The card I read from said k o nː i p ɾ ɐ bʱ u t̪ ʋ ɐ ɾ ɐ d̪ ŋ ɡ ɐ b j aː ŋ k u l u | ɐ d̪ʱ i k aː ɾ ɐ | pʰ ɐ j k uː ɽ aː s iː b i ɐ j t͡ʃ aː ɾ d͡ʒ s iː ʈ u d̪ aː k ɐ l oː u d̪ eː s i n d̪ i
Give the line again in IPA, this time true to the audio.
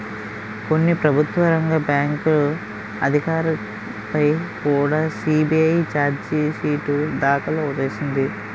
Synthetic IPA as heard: k o nː i p ɾ ɐ bʱ u t̪ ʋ ɐ ɾ ɐ ŋ ɡ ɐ b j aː ŋ k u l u | ɐ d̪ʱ i k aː ɾ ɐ | p ɐ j k uː ɽ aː s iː b i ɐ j t͡ʃ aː ɾ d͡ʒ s iː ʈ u d̪ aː k ɐ l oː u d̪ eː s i n d̪ i